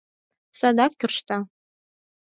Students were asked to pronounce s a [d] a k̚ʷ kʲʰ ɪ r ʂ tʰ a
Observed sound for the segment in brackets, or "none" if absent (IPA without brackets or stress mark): d